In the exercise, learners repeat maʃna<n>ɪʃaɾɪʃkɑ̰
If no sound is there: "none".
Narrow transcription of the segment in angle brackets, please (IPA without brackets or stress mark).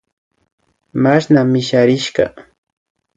m